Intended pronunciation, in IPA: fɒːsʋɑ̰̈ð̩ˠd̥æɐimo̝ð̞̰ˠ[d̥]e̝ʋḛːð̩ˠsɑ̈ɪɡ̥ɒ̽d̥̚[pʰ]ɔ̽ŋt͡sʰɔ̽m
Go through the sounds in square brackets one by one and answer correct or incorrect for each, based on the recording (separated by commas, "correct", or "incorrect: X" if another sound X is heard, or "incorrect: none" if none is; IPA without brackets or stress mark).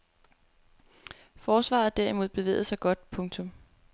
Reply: incorrect: b̥, correct